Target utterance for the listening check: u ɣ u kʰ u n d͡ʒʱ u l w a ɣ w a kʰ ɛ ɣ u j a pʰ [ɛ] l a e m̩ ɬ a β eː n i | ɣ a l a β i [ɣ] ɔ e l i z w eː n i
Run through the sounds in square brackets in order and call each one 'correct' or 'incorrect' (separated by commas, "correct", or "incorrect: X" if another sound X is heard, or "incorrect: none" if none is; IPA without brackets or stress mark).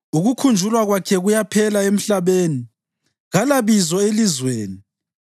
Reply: correct, incorrect: z